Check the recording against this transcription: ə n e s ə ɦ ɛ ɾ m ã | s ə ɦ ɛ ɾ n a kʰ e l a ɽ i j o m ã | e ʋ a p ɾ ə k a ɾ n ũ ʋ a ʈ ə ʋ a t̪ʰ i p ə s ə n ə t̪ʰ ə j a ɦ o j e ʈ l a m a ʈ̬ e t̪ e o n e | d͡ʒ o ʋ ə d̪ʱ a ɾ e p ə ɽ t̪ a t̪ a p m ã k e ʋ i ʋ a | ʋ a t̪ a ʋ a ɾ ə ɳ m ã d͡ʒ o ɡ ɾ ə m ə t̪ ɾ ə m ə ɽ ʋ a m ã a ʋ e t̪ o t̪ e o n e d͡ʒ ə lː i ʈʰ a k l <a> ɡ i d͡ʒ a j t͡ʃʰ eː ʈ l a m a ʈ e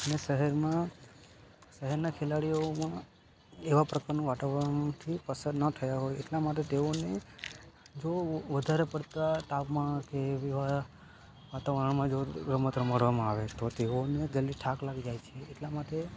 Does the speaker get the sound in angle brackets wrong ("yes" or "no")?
no